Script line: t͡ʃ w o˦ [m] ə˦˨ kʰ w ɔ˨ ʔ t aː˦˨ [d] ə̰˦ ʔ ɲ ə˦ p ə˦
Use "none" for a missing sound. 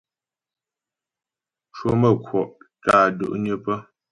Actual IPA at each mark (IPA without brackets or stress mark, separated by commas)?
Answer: m, d